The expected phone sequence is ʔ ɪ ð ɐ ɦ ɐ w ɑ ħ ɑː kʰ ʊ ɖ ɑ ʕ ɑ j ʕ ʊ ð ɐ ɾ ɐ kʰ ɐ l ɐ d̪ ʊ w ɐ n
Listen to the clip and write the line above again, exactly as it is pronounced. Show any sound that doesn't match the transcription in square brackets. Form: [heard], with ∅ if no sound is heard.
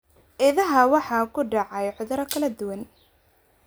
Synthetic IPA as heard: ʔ ɪ ð ɐ ɦ ɐ w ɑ ħ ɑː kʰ ʊ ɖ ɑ ʕ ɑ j ʕ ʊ ð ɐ ɾ ɐ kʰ ɐ l ɐ d̪ ʊ w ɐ n